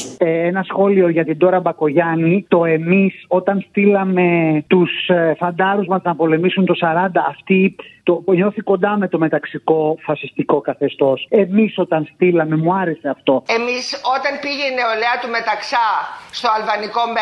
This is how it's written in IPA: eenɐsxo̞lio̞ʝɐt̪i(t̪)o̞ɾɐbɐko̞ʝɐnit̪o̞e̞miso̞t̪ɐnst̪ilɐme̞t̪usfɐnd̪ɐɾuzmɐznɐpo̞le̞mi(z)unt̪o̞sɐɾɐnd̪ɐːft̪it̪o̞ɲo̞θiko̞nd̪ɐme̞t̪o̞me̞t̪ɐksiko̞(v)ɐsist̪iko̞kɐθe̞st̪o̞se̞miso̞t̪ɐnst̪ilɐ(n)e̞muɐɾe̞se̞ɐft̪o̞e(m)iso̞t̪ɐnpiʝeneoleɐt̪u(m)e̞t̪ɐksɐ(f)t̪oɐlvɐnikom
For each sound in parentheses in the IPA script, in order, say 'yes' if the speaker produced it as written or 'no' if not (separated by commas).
no, no, no, no, yes, yes, no